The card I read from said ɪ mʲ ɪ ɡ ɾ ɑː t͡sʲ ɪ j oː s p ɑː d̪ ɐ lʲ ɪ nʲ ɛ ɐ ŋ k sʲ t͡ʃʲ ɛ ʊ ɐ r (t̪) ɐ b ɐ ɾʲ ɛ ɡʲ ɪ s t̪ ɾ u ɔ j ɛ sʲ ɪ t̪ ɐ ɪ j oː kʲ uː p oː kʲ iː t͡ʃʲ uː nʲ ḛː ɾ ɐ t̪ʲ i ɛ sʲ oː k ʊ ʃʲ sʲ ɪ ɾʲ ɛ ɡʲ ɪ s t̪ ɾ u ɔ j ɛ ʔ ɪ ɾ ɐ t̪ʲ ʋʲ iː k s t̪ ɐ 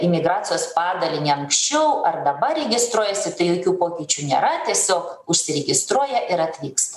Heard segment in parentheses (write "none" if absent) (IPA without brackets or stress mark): d̪